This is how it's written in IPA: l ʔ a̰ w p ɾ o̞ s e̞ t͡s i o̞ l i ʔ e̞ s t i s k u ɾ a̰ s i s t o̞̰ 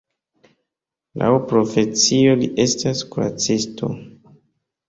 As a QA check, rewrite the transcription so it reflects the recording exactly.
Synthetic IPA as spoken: l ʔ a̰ w p ɾ o̞ f e̞ t͡s i o̞ l i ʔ e̞ s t a s k u ɾ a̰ t͡s i s t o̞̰